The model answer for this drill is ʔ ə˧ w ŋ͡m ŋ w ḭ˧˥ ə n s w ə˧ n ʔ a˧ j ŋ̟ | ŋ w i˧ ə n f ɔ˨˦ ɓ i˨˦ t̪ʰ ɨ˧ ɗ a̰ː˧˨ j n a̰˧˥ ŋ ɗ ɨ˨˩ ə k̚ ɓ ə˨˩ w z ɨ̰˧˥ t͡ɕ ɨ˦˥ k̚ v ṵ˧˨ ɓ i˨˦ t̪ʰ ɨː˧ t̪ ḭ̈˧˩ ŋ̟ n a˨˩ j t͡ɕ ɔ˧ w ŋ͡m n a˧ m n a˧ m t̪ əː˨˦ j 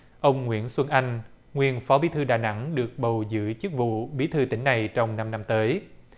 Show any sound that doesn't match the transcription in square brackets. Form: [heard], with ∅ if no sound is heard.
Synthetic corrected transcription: ʔ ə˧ w ŋ͡m ŋ w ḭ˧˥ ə n s w ə˧ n ʔ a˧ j ŋ̟ | ŋ w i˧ ə n f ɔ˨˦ ɓ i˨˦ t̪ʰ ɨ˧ ɗ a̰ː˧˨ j n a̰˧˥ ŋ ɗ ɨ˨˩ ə k̚ ɓ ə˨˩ w z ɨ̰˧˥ t͡ɕ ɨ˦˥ k̚ v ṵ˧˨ ɓ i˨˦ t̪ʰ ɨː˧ t̪ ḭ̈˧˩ ŋ̟ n a˨˩ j t͡ɕ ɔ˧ w ŋ͡m n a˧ m n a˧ m t̪ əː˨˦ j

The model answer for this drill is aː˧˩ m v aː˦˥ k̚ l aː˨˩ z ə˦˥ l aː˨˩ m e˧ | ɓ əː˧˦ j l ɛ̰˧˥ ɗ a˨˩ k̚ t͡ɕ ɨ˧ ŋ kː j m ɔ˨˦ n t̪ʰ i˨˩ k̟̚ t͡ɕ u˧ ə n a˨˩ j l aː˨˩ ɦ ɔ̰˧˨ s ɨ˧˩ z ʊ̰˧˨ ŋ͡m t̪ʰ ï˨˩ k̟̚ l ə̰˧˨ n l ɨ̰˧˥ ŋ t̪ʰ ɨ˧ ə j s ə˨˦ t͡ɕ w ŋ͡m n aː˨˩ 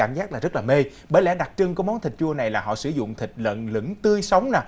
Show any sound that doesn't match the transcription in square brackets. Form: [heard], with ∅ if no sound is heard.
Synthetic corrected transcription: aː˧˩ m [z] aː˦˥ k̚ l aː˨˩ z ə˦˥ l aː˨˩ m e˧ | ɓ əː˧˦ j l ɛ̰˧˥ ɗ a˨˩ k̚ t͡ɕ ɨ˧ ŋ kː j m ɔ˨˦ n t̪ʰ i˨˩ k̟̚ t͡ɕ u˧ ə n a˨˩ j l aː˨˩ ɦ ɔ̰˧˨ s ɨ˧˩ z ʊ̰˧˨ ŋ͡m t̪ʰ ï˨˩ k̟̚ l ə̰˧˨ n l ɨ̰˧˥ ŋ [t̪] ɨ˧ ə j s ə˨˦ [∅] w ŋ͡m n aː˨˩

